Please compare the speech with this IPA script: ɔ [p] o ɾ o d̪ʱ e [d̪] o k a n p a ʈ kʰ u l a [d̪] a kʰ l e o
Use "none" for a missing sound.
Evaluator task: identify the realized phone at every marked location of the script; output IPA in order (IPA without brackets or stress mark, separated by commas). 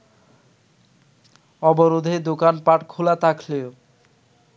b, d̪, t̪